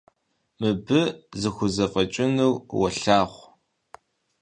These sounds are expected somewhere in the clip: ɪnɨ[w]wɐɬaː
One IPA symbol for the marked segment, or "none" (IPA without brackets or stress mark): w